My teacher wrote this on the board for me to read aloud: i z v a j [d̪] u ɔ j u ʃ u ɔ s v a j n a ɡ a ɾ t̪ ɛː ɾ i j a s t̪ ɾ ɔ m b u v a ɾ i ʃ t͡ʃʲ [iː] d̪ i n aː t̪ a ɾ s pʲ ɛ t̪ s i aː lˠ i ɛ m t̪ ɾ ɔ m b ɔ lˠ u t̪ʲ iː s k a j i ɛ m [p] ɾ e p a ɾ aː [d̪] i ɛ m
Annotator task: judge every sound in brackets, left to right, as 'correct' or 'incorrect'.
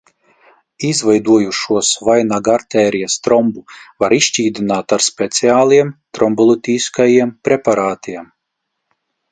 correct, correct, correct, incorrect: t̪

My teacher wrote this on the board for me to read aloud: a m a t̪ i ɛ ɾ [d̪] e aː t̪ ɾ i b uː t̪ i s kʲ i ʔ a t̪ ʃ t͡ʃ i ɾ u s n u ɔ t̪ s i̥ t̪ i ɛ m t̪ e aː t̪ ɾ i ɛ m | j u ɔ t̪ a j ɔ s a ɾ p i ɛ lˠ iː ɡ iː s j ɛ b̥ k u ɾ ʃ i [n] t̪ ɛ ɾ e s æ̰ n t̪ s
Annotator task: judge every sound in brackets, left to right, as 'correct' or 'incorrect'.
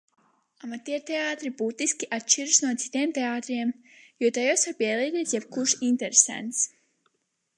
incorrect: t̪, correct

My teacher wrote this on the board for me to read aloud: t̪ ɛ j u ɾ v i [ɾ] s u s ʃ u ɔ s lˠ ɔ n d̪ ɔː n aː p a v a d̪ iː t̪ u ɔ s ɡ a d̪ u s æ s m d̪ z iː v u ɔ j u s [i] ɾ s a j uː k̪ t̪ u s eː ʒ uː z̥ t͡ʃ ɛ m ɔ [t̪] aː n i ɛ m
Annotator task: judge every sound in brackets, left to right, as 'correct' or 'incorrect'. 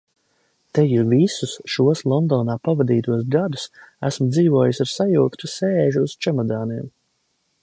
incorrect: none, incorrect: a, incorrect: d̪

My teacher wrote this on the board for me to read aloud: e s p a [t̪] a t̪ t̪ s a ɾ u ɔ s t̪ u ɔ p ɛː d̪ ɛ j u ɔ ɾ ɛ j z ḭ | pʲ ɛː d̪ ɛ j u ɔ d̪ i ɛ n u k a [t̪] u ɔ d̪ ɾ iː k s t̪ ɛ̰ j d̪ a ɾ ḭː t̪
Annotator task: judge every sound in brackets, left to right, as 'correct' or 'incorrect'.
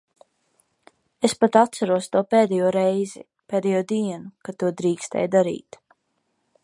correct, correct

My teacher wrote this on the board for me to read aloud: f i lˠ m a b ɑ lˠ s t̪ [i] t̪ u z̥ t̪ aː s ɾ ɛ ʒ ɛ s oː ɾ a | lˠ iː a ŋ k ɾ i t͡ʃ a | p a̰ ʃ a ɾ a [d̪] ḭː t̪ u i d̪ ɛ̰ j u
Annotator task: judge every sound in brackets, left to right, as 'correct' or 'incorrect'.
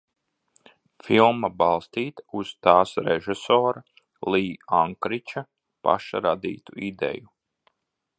incorrect: iː, correct

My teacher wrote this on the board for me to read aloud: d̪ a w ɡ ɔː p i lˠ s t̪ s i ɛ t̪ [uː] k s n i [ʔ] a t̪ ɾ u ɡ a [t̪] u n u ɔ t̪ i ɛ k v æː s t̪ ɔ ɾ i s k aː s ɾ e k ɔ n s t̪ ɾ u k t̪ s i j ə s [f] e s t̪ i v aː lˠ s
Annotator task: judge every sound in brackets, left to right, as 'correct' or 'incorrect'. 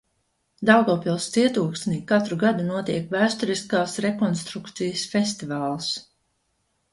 correct, incorrect: k, incorrect: d̪, correct

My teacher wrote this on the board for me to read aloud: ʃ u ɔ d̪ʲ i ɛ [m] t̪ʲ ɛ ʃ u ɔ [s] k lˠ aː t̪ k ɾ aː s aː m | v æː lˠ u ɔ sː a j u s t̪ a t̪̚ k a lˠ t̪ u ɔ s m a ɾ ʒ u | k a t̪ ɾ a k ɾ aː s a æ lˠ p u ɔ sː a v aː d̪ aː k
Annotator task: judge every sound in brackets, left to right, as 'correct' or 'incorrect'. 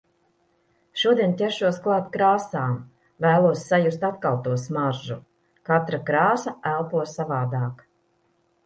incorrect: n, correct

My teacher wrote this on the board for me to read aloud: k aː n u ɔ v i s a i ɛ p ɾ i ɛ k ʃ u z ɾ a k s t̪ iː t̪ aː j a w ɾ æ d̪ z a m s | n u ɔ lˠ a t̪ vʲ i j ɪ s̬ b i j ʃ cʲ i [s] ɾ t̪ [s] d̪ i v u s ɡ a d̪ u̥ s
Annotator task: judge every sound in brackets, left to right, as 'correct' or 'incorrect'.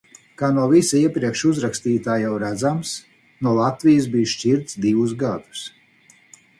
incorrect: none, correct

